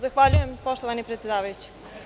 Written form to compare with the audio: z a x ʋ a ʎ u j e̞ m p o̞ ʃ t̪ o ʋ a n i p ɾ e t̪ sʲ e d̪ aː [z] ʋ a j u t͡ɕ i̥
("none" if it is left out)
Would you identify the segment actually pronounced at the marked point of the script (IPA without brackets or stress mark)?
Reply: none